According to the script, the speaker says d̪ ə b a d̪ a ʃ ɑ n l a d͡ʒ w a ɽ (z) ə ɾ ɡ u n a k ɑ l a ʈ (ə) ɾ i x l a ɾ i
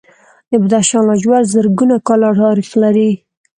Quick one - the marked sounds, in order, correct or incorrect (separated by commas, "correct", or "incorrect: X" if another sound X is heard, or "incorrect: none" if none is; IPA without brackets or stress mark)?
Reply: correct, incorrect: ɑ